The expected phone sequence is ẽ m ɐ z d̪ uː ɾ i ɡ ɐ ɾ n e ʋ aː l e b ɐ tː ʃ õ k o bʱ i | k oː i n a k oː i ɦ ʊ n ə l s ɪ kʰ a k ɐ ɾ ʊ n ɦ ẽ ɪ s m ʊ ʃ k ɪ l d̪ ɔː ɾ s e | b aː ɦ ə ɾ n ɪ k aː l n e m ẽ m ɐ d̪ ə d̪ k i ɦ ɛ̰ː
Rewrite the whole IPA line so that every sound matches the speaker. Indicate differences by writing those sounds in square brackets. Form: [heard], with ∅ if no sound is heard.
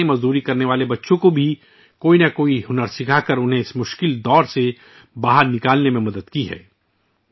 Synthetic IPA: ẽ m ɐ z d̪ uː ɾ i [k] ɐ ɾ n e ʋ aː l e b ɐ tː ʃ õ k o bʱ i | k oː i n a k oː i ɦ ʊ n ə [ɾ] s ɪ kʰ a k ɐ ɾ ʊ n ɦ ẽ ɪ s m ʊ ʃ k ɪ l d̪ ɔː ɾ s e | b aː ɦ ə ɾ n ɪ k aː l n e m ẽ m ɐ d̪ ə d̪ k i ɦ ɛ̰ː